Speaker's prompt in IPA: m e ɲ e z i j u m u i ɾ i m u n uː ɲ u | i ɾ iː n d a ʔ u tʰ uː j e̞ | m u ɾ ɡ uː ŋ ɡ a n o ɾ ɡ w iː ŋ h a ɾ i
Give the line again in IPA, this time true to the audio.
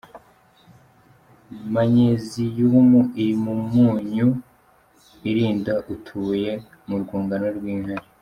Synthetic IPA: m a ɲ e z i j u m u i ɾ i m u m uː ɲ u | i ɾ iː n d a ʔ u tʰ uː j e̞ | m u ɾ ɡ uː ŋ ɡ a n o ɾ ɡ w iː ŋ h a ɾ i

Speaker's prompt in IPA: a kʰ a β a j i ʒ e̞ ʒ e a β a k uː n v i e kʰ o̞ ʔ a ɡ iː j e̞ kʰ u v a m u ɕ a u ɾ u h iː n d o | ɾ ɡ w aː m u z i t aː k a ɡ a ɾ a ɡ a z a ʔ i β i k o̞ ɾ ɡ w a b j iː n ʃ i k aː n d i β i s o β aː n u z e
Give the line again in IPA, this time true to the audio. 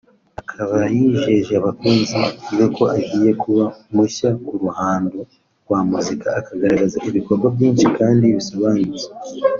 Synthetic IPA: a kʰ a β a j i ʒ e̞ ʒ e a β a k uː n z i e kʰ o̞ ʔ a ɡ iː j e̞ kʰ u β a m u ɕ a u ɾ u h aː n d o | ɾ ɡ w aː m u z i k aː k a ɡ a ɾ a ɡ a z a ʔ i β i k o̞ ɾ ɡ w a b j iː n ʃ i k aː n d i β i s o β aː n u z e

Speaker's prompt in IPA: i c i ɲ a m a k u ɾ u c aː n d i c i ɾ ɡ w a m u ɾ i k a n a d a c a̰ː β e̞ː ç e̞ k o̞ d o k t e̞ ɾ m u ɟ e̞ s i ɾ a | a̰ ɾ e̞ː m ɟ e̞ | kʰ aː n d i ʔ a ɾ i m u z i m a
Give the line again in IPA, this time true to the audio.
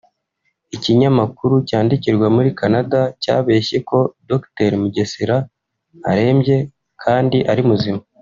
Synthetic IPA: i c i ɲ a m a k u ɾ u c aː n d i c i ɾ ɡ w a m u ɾ i k a n a d a c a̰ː β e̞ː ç e̞ k o̞ d o k t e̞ ɾ m u ɟ e̞ s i ɾ a | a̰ ɾ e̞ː m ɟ e̞ | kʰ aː n d i ʔ a ɾ i m u z i m a

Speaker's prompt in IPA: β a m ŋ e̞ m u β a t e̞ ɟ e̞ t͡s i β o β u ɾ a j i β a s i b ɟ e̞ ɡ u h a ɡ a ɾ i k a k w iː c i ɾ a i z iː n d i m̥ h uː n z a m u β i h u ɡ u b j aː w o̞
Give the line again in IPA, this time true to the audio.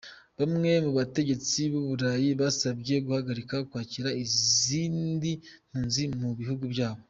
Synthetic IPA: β a m ŋ e̞ m u β a t e̞ ɟ e̞ t͡s i β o β u ɾ a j i β a s a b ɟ e̞ ɡ u h a ɡ a ɾ i k a k w aː c i ɾ a i z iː n d i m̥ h uː n z i m u β i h u ɡ u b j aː β o̞

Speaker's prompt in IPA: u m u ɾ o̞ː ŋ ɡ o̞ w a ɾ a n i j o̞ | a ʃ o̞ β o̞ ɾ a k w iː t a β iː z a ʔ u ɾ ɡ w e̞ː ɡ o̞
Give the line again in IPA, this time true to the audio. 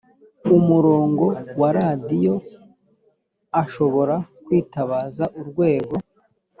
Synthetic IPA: u m u ɾ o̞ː ŋ ɡ o̞ w a ɾ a d i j o̞ | a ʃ o̞ β o̞ ɾ a k w iː t a β aː z a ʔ u ɾ ɡ w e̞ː ɡ o̞

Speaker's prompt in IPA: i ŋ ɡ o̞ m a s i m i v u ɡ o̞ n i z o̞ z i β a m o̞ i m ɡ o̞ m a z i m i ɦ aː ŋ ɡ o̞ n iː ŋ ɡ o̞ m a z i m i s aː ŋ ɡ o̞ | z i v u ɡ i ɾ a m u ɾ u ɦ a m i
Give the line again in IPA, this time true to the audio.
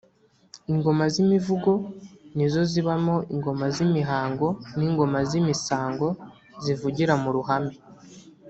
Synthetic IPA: i ŋ ɡ o̞ m a z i m i v u ɡ o̞ n i z o̞ z i β a m o̞ i ŋ ɡ o̞ m a z i m i ɦ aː ŋ ɡ o̞ n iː ŋ ɡ o̞ m a z i m i s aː ŋ ɡ o̞ | z i v u ɟ i ɾ a m u ɾ u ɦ a m i

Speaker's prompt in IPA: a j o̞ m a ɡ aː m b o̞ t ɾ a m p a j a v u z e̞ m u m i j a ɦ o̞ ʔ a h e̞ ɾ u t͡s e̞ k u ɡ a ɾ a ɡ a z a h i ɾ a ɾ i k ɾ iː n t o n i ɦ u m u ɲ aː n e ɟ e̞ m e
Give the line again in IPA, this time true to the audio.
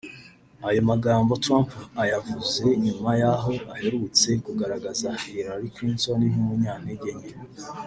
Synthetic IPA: a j o̞ m a ɡ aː m b o̞ t ɾ a m p a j a v u z e̞ ɲ u m a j a ɦ o̞ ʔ a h e̞ ɾ u t͡s e̞ k u ɡ a ɾ a ɡ a z a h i ɾ a ɾ i k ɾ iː n t o n i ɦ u m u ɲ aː n e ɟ e̞ ɲ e

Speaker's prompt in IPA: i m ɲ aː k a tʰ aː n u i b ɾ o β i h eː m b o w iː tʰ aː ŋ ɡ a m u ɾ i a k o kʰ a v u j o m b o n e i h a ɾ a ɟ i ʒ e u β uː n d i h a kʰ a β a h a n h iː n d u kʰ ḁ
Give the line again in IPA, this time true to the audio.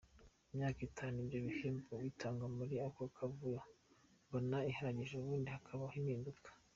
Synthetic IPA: i m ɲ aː k i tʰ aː n u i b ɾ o β i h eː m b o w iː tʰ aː ŋ ɡ a m u ɾ i a k o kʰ a v u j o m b o n a i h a ɾ a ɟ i ʒ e u β uː n d i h a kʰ a β a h i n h iː n d u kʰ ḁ

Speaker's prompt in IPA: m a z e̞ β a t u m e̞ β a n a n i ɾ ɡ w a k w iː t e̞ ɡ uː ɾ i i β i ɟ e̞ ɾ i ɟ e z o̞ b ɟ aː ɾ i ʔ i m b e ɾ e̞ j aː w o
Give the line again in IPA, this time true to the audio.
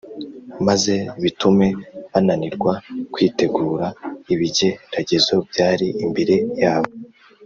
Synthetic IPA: m a z e̞ β i t u m e̞ β a n a n i ɾ ɡ w a k w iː t e̞ ɡ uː ɾ a i β i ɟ e̞ ɾ a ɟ e z o̞ b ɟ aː ɾ i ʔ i m b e ɾ e̞ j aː β o

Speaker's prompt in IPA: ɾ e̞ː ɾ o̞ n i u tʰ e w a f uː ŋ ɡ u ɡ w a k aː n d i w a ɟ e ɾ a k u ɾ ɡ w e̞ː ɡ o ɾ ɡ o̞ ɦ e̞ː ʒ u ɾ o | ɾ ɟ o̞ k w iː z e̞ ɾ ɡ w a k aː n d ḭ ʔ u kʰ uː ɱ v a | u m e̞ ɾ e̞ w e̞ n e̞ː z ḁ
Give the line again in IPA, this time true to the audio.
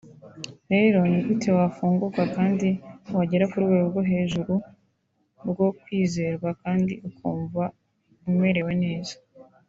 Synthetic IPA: ɾ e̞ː ɾ o̞ n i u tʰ e w a f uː ŋ ɡ u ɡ w a k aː n d i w a ɟ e ɾ a k u ɾ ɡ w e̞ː ɡ o ɾ ɡ o̞ ɦ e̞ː ʒ u ɾ u | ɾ ɡ o̞ k w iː z e̞ ɾ ɡ w a k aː n d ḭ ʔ u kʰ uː ɱ v a | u m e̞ ɾ e̞ w e̞ n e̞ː z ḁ

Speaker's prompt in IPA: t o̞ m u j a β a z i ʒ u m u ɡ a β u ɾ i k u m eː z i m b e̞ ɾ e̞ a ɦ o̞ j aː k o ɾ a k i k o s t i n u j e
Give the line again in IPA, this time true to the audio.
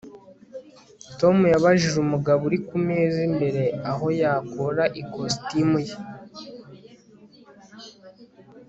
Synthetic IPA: t o̞ m u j a β a ʒ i ʒ u m u ɡ a β u ɾ i k u m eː z i m b e̞ ɾ e̞ a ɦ o̞ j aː k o ɾ a ʔ i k o s t i m u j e

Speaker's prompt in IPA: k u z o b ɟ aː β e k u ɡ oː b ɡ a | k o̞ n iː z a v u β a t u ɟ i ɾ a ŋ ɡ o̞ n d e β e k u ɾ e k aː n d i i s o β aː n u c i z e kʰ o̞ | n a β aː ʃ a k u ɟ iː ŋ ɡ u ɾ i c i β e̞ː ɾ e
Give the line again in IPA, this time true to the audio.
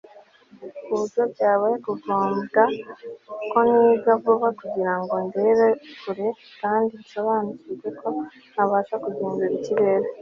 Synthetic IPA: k u z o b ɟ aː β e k u ɡ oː m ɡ a | k o̞ n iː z a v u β a k u ɟ i ɾ a ŋ ɡ o̞ n d e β e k u ɾ e k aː n d i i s o β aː n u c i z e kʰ o̞ | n a β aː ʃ a k u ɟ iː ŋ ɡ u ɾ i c i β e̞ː ɾ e

